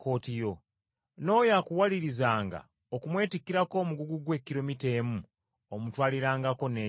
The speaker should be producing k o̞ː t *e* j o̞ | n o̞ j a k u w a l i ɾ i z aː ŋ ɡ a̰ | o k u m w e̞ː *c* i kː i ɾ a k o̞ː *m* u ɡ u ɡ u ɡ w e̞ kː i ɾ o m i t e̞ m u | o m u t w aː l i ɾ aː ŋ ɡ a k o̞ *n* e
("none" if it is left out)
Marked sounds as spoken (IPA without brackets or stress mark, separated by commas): i, t, m, n